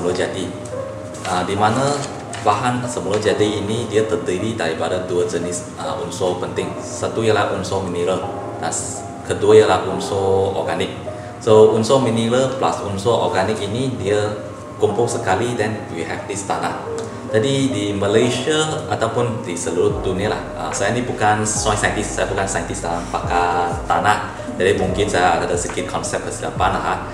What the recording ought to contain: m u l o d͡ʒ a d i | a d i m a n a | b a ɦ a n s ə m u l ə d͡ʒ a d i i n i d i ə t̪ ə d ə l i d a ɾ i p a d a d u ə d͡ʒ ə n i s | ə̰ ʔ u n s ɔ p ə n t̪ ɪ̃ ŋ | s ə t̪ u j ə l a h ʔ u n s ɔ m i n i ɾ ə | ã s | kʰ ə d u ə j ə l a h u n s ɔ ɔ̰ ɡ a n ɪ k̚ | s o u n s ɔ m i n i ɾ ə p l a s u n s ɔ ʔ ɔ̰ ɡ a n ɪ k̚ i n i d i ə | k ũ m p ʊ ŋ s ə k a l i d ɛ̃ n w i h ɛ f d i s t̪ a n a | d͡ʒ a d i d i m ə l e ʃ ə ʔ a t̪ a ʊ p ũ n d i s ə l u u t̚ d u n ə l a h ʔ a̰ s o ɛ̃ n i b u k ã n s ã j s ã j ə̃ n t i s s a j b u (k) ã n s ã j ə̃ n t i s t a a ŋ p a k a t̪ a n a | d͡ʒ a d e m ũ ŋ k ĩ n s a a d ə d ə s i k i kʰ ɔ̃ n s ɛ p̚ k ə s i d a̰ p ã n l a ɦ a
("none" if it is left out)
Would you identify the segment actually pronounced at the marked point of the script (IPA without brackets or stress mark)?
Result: k